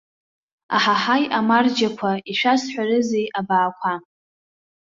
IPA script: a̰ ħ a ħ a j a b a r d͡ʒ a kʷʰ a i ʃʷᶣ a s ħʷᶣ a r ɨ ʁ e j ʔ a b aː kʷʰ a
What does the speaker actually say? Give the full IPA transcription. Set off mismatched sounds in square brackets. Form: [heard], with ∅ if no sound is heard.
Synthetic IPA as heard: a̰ ħ a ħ a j a [m] a r d͡ʒ a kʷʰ a i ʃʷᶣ a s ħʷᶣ a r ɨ [z] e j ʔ a b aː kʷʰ a